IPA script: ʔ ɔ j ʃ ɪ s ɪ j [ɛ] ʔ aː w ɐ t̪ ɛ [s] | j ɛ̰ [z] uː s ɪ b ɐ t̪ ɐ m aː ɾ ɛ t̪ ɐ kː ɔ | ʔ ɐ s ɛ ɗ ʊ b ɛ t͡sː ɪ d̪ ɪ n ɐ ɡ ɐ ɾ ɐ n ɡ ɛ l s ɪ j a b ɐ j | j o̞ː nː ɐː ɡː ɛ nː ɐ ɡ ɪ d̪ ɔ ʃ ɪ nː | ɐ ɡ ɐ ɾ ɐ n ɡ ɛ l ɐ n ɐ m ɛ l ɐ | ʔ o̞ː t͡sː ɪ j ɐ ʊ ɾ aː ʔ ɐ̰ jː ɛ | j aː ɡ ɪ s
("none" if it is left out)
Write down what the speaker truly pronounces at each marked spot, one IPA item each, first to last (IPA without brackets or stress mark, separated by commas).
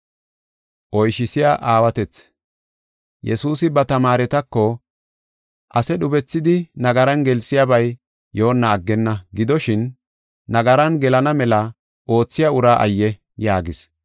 a, t͡s, s